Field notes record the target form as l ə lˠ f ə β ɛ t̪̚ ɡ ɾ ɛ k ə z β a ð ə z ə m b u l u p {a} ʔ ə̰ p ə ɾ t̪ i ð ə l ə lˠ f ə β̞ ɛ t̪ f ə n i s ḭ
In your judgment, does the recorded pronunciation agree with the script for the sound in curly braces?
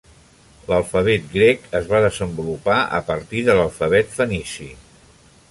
yes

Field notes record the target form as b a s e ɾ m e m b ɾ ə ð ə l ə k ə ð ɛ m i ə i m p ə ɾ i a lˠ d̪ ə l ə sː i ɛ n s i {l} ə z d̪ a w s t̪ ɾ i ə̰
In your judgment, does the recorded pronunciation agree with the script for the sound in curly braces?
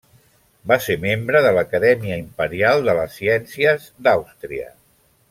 no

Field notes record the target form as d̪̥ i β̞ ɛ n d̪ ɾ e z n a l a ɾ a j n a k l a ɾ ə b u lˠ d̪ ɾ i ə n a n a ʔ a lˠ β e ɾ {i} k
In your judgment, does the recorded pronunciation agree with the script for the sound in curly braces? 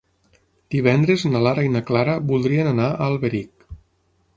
yes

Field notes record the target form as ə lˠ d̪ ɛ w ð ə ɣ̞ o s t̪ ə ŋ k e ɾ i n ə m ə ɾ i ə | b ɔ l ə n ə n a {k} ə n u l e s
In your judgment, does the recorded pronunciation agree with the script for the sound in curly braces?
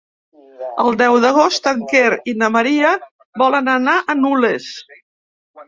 no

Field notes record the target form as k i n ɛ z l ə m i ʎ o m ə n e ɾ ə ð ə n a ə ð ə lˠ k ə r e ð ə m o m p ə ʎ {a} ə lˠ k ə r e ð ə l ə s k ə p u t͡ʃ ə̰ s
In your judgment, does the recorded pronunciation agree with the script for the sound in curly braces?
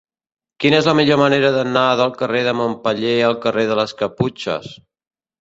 no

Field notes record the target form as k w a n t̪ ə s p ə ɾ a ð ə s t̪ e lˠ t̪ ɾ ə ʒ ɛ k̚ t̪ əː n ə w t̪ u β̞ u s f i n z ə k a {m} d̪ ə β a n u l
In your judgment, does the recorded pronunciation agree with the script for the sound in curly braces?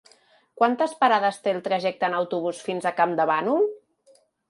yes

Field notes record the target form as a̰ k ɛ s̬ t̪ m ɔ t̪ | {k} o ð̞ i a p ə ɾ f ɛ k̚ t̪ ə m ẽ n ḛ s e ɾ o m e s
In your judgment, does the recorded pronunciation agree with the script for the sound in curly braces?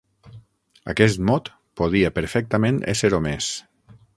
no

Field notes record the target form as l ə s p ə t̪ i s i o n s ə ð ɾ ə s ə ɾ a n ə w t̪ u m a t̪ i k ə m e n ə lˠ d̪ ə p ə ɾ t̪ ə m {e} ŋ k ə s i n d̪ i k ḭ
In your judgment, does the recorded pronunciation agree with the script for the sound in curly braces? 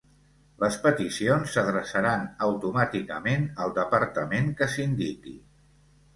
yes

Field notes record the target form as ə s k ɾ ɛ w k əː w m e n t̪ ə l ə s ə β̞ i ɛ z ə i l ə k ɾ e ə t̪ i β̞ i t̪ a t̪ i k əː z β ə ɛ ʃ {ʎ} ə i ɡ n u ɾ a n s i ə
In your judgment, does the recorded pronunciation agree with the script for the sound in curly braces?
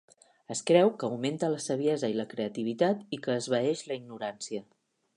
no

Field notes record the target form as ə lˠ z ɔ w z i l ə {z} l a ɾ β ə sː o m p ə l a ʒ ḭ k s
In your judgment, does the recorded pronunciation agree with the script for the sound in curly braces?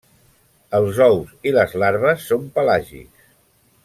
yes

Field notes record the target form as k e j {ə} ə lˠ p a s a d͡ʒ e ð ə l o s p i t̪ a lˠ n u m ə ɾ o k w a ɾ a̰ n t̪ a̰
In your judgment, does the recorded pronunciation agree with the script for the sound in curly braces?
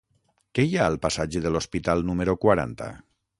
no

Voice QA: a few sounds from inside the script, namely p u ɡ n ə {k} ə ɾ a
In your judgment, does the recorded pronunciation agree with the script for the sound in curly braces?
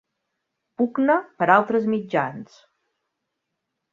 no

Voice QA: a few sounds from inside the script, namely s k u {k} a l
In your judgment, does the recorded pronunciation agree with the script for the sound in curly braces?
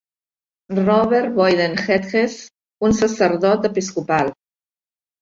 no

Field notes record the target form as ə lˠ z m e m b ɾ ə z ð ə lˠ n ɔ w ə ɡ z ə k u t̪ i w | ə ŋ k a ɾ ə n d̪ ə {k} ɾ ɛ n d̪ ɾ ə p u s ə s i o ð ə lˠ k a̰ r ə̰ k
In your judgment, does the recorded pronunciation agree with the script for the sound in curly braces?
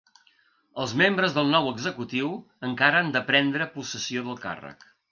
no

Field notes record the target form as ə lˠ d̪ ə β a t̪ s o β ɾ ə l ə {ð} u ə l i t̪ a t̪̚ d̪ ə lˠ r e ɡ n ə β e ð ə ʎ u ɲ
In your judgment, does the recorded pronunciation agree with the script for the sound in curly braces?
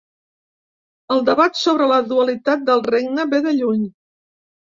yes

